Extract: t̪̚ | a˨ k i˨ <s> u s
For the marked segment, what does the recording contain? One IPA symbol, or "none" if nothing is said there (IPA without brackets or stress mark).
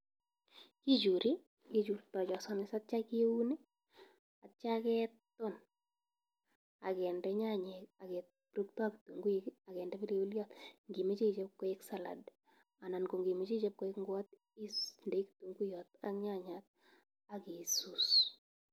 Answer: s